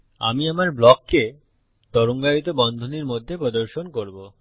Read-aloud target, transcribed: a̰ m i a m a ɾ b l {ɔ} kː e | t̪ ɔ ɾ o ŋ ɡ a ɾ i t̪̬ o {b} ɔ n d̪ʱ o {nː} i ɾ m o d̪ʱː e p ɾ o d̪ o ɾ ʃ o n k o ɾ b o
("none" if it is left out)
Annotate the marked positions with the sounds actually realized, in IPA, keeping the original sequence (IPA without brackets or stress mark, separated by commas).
ɔ, b, n